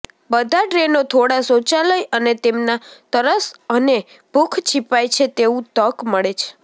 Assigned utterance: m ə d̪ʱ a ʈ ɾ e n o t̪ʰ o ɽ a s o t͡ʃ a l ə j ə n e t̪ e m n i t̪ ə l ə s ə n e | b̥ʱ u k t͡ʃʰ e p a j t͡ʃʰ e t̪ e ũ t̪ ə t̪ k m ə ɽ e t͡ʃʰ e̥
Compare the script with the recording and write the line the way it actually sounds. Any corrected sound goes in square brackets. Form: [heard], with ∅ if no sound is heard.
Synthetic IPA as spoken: [b] ə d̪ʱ a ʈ ɾ e n o t̪ʰ o ɽ a s o t͡ʃ a l ə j ə n e t̪ e m n [a] t̪ ə [ɾ] ə s ə n e | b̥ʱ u [kʰ] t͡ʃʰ [i] p a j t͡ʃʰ e t̪ e ũ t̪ ə [∅] k m ə [ɭ] e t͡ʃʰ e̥